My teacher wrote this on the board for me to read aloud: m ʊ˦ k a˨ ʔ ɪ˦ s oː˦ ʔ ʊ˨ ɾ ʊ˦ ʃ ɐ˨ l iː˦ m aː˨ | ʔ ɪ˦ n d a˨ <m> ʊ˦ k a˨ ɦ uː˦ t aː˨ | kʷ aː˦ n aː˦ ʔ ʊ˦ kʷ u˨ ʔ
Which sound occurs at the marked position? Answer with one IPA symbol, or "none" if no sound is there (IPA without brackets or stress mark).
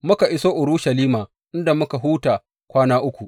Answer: m